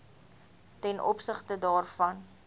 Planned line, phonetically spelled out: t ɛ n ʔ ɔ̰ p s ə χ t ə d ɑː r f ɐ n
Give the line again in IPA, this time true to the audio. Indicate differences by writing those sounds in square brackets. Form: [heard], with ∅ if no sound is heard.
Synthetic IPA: t ɛ n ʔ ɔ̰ p s ə χ t ə d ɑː r f ɐ n

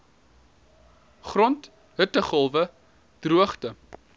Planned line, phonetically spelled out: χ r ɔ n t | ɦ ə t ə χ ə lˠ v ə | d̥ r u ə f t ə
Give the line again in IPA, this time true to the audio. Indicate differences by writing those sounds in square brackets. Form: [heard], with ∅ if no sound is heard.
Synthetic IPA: χ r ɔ n t | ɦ ə t ə χ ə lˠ v ə | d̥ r u ə [χ] t ə

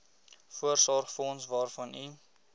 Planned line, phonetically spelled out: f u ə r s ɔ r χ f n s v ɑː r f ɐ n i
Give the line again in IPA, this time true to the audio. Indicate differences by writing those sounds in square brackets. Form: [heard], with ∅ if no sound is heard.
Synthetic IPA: f u ə r s ɔ r χ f n s v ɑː r f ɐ n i

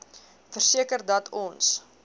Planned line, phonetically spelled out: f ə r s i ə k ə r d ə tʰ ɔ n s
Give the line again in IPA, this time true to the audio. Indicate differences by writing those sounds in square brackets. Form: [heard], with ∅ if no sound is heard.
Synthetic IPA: f ə r s i ə k ə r d [ɐ] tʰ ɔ n s

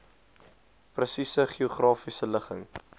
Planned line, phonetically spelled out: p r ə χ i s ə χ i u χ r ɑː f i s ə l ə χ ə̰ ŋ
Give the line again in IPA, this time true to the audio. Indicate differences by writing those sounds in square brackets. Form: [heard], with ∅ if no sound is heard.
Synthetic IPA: p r ə [s] i s ə χ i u χ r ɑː f i s ə l ə χ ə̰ ŋ

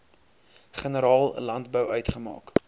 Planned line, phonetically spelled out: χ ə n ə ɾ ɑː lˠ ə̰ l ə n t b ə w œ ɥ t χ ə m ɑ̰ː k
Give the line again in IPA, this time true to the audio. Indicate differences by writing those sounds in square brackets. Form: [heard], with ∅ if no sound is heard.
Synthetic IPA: χ ə n ə ɾ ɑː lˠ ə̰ l [ɐ] n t b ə w œ ɥ t χ ə m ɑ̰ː k

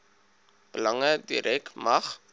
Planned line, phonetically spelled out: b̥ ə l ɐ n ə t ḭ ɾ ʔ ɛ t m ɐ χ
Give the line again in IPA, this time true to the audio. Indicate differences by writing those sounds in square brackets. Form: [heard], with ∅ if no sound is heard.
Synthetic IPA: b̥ ə l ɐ [ŋ] ə [d] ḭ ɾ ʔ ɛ [k] m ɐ χ

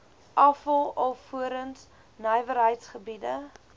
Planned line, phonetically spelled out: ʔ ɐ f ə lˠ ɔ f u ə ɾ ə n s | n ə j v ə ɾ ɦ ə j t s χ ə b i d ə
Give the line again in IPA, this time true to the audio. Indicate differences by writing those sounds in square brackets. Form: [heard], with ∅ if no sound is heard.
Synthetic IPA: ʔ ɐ f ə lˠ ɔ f u ə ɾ ə n s | n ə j v ə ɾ ɦ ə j t s χ ə b i d ə

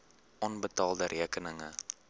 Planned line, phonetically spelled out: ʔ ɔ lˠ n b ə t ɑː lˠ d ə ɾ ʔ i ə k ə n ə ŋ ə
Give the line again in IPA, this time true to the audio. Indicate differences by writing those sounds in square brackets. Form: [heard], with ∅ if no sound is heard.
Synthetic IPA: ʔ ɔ [∅] n b ə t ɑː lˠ d ə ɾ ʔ i ə k ə n ə ŋ ə

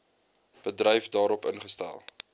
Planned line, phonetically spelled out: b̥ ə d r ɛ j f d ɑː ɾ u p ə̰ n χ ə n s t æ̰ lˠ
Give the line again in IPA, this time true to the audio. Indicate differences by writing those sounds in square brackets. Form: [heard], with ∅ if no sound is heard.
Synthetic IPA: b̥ ə d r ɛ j f d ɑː ɾ [ɔ] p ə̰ n χ ə [∅] s t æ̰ lˠ

